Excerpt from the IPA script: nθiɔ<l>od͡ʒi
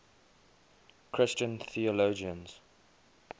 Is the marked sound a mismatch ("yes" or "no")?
no